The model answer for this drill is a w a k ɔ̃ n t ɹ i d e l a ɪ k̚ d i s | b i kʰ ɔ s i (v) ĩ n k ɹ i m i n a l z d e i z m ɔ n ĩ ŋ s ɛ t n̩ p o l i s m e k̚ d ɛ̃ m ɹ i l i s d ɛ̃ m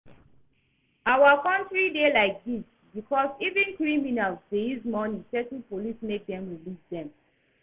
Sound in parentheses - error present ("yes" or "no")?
no